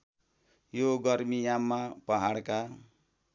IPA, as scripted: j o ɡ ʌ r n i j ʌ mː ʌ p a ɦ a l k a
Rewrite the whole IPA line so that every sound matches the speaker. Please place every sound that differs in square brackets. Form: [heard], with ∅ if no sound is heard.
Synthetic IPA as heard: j o ɡ ʌ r [m] i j [a] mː [a] p [ʌ] ɦ a [ɽ] k a